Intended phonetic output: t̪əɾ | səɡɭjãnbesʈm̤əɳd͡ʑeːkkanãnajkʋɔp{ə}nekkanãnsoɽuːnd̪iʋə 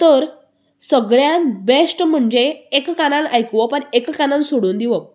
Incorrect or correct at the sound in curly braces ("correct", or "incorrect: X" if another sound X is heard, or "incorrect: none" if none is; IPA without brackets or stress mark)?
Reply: correct